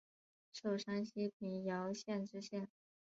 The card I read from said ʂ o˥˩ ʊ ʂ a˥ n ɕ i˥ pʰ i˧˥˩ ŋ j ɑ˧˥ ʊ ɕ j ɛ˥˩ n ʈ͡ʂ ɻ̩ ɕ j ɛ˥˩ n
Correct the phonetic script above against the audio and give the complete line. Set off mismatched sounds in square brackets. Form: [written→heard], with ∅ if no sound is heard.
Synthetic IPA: ʂ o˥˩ ʊ ʂ a˥ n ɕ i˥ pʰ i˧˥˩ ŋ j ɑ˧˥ ʊ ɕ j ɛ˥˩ n ʈ͡ʂ ɻ̩ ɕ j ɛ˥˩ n